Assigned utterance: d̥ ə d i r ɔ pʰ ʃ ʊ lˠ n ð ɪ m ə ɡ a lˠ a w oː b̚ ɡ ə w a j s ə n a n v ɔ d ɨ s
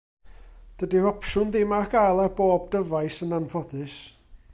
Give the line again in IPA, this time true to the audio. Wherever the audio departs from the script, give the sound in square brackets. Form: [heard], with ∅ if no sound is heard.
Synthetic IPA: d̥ ə d i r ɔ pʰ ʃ ʊ [∅] n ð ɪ m [a] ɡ a lˠ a [b] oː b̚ [d] ə [v] a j s ə n a n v ɔ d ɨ s